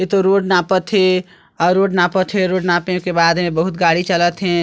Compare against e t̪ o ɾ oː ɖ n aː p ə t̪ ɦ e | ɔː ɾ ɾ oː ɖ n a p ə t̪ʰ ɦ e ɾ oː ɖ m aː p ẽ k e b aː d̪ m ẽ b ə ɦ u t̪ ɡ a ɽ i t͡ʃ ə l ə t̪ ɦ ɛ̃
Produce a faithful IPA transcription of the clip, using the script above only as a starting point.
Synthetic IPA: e t̪ o ɾ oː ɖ n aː p ə t̪ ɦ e | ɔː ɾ ɾ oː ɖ n a p ə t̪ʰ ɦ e ɾ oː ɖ n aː p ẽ k e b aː d̪ m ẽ b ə ɦ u t̪ ɡ a ɽ i t͡ʃ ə l ə t̪ ɦ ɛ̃